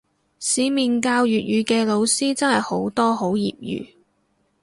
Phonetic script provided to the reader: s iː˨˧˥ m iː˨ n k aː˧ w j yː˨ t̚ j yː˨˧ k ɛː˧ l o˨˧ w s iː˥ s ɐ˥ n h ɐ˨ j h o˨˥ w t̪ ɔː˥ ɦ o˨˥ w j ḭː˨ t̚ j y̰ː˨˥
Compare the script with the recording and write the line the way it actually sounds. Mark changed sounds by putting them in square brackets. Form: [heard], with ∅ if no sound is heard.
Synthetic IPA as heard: s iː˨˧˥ m iː˨ n k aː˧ w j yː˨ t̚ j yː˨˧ k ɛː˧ l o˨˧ w s iː˥ [t͡s] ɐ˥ n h ɐ˨ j h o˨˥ w t̪ ɔː˥ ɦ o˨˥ w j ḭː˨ [p̚] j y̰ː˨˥